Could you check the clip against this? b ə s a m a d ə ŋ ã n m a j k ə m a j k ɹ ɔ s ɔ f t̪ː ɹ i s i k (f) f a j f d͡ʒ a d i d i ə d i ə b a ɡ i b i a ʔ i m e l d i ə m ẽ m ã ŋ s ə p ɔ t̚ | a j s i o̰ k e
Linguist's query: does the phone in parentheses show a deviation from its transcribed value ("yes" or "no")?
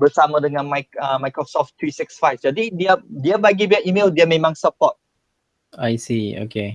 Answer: yes